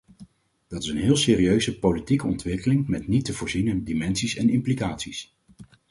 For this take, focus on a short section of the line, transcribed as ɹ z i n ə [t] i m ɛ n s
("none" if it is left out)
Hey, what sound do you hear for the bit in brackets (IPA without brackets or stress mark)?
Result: d